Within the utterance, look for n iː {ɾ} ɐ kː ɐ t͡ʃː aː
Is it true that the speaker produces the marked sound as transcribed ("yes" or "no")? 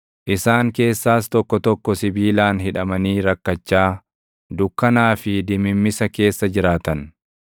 yes